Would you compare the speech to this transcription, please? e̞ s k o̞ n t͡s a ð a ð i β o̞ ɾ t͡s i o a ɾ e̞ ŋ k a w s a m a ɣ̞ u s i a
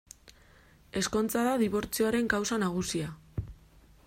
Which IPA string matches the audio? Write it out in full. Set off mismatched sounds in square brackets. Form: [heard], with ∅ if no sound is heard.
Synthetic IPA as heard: e̞ s k o̞ n t͡s a ð a ð i β o̞ ɾ t͡s i o a ɾ e̞ ŋ k a w s a [n] a ɣ̞ u s i a